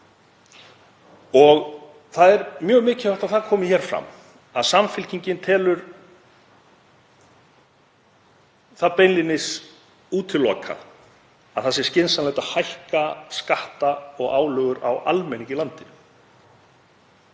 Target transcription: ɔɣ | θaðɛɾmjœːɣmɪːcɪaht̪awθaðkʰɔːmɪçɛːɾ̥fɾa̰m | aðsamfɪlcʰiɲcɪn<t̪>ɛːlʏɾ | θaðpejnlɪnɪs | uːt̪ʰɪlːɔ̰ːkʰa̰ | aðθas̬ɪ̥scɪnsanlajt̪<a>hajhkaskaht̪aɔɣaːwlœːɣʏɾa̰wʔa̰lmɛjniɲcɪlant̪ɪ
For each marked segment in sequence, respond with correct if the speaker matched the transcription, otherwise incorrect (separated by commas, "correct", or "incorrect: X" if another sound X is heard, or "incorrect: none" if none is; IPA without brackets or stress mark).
incorrect: t̪ʰ, correct